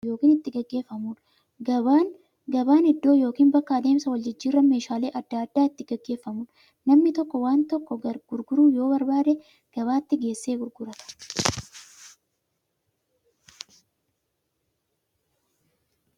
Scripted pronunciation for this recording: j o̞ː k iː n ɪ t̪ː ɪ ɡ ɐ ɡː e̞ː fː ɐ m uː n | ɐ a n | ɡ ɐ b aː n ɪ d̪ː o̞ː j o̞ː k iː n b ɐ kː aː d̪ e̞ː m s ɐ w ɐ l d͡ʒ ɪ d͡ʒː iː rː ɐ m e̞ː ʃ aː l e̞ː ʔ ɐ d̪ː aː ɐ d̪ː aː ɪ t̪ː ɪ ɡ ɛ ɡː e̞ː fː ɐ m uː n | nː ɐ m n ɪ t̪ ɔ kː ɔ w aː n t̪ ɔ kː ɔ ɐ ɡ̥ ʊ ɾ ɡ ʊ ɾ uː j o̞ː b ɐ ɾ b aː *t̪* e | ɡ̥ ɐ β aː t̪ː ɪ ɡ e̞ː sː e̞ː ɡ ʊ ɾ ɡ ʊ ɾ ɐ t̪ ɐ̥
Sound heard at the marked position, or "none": d̪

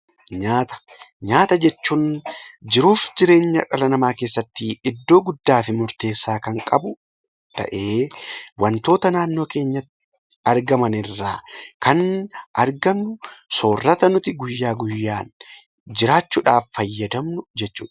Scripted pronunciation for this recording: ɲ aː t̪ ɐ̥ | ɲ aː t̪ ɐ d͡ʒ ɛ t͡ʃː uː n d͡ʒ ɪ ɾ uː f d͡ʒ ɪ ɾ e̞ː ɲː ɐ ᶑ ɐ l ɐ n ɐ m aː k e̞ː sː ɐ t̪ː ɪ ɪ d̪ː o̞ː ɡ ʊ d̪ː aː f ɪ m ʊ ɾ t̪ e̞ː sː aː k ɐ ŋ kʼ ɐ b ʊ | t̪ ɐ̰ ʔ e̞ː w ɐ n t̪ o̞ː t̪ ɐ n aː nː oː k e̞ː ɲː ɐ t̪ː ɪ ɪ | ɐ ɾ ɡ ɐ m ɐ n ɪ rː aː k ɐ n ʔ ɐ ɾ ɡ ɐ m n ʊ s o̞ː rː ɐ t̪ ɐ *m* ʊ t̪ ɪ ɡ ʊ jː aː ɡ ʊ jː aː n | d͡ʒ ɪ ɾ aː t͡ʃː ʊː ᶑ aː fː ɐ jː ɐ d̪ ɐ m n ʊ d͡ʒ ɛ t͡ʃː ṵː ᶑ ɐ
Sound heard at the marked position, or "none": n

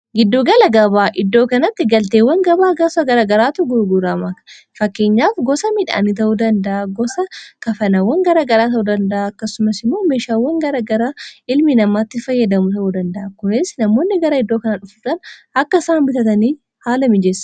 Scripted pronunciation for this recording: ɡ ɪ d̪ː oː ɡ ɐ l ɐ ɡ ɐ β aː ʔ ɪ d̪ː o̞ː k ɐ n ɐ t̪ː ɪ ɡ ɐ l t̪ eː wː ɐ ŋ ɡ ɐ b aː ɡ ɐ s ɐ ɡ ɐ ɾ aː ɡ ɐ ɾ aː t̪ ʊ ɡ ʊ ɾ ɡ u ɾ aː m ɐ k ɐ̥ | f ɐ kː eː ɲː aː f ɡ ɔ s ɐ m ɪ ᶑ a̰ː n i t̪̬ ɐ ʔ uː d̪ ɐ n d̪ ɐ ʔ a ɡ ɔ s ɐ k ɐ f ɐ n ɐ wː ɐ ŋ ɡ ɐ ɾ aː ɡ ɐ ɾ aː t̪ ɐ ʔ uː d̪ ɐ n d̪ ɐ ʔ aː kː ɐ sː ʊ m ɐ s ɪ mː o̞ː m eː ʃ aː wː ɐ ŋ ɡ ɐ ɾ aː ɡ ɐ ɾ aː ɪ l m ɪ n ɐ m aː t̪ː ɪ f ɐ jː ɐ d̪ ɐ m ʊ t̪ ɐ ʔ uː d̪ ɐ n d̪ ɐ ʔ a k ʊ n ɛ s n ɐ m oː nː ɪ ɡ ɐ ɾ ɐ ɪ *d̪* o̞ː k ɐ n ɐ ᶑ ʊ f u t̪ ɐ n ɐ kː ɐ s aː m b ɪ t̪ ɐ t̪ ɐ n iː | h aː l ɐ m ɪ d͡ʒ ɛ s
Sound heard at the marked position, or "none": d̪ː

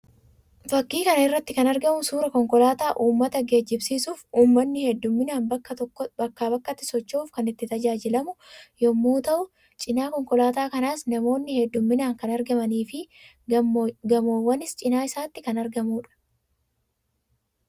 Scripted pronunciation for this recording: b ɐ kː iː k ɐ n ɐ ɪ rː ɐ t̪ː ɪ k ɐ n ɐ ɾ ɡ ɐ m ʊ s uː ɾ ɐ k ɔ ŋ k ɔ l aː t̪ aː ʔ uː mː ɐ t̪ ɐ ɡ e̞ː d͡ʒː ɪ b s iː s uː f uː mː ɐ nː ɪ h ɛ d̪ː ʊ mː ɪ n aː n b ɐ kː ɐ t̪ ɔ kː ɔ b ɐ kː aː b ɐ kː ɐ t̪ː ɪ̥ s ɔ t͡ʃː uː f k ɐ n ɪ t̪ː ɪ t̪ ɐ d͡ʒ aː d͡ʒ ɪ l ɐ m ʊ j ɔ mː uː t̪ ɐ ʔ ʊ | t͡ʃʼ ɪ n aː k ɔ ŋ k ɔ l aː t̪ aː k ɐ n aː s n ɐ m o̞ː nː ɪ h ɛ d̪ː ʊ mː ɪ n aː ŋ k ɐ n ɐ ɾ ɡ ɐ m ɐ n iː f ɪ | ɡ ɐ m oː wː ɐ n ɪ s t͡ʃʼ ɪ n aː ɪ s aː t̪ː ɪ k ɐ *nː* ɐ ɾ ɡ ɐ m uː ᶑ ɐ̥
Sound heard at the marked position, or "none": n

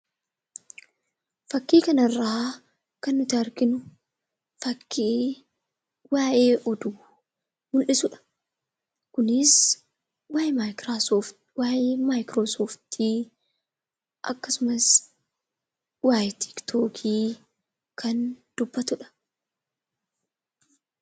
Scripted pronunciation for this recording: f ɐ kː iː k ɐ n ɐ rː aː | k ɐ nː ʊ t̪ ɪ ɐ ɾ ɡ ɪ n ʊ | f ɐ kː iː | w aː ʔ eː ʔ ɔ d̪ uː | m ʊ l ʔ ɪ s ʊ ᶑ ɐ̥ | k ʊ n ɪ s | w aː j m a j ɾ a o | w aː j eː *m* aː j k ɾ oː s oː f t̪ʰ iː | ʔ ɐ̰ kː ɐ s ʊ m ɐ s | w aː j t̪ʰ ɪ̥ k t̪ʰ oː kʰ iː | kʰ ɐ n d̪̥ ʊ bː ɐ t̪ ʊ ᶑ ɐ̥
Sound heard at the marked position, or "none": m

